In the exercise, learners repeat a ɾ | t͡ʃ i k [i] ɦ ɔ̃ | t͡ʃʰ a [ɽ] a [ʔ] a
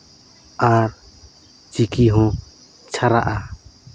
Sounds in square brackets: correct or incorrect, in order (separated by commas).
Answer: correct, incorrect, correct